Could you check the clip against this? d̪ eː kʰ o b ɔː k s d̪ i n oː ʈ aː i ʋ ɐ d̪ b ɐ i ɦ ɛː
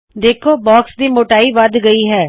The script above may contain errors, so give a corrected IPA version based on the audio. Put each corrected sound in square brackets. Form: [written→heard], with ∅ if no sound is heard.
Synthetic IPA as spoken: d̪ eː kʰ o b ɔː k s d̪ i [n→m] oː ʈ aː i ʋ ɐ d̪ [b→ɡ] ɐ i ɦ ɛː